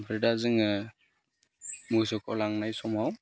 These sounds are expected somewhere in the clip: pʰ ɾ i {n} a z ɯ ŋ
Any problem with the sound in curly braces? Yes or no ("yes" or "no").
yes